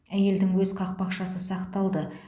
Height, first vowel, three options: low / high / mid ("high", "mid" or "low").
low